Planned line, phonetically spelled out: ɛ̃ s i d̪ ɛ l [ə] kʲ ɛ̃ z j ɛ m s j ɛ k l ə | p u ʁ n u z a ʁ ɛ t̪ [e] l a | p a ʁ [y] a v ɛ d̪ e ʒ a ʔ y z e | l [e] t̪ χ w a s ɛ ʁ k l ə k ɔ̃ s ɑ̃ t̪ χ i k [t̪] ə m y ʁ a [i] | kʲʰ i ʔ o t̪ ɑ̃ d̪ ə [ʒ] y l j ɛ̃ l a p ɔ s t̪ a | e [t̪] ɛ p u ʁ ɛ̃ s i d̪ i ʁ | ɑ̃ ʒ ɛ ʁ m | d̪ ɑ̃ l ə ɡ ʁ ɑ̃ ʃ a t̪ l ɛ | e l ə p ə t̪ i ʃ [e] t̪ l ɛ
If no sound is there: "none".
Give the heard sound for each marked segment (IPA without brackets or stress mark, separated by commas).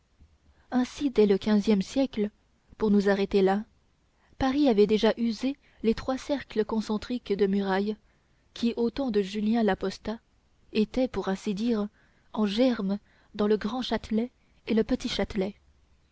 ə, e, i, e, d̪, j, ʒ, t̪, a